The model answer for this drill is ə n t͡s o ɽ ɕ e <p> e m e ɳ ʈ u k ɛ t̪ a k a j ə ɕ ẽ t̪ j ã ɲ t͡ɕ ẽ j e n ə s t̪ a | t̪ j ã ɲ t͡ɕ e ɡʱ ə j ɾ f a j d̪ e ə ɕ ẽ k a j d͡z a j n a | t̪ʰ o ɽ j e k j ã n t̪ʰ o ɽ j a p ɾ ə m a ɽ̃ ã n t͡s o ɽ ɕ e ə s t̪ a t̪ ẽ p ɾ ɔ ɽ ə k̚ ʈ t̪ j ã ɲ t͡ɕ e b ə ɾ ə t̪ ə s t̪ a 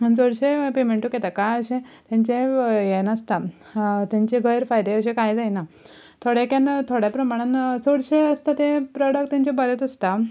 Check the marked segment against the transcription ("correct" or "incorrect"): correct